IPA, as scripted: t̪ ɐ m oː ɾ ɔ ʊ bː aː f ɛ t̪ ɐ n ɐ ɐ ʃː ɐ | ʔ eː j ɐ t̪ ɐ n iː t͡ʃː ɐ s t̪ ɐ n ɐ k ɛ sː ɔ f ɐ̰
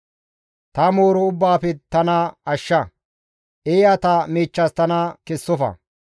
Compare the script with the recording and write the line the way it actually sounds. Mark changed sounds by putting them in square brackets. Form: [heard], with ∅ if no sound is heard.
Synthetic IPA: t̪ ɐ m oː ɾ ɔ ʊ bː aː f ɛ t̪ ɐ n ɐ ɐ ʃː ɐ | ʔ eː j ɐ t̪ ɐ [m] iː t͡ʃː ɐ s t̪ ɐ n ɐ k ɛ sː ɔ f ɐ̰